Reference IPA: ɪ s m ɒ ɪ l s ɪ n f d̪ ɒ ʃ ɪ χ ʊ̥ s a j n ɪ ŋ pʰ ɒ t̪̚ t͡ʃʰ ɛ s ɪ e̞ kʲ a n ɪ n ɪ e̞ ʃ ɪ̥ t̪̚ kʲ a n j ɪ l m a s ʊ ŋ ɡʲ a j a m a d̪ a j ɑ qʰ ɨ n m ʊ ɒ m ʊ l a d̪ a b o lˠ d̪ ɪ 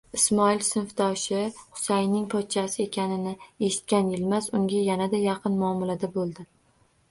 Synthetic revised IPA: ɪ s m ɒ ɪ l s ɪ n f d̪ ɒ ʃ ɪ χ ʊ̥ s a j n ɪ ŋ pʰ ɒ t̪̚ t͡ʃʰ a s ɪ e̞ kʲ a n ɪ n ɪ e̞ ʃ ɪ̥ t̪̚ kʲ a n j ɪ l m a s ʊ ŋ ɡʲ a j a n a d̪ a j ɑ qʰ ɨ n m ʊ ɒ m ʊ l a d̪ a b o lˠ d̪ ɪ